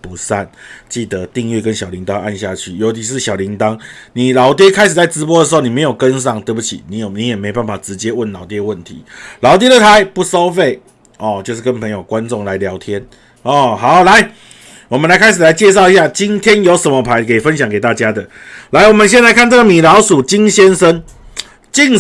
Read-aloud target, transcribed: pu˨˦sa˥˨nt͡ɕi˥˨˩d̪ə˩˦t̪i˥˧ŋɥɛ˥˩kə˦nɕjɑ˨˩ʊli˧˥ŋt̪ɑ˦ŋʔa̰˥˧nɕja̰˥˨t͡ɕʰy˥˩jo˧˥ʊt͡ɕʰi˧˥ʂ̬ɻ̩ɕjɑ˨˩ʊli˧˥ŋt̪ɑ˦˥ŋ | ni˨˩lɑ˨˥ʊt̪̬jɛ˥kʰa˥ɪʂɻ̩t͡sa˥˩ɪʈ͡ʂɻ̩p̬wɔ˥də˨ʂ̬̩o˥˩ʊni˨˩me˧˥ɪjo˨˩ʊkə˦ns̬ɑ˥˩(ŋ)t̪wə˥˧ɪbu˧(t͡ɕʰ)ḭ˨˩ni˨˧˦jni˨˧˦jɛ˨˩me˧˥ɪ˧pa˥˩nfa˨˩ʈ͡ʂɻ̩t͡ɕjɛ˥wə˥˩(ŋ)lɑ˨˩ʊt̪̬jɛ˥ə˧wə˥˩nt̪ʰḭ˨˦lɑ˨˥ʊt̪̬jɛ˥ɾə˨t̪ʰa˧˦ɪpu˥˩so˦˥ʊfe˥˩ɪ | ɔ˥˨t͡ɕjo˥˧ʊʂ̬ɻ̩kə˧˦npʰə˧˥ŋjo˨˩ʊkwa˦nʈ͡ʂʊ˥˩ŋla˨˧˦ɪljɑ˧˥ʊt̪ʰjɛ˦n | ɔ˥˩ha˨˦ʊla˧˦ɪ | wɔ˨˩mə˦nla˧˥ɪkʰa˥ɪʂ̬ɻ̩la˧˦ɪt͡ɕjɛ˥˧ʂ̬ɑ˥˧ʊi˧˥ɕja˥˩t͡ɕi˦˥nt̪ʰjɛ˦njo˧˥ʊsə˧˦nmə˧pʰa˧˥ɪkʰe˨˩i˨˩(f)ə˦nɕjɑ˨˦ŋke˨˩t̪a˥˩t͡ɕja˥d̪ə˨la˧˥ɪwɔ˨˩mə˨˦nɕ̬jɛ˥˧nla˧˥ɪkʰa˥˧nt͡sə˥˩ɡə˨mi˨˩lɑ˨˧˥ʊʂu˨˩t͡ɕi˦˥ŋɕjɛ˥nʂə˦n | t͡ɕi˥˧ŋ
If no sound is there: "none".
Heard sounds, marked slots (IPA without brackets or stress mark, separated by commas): ŋ, t͡ɕʰ, n, f